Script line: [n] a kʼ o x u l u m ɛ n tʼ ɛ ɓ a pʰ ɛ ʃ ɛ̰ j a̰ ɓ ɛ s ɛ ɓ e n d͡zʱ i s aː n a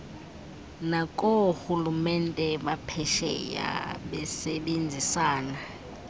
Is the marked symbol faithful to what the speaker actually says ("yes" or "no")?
yes